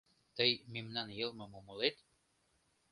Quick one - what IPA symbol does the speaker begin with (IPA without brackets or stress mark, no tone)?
t̪